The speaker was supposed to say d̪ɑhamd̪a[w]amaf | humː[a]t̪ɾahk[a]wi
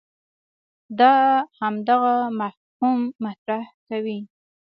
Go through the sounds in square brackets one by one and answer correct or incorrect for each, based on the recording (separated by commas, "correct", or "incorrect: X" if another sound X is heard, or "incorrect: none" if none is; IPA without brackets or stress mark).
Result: incorrect: ɣ, correct, correct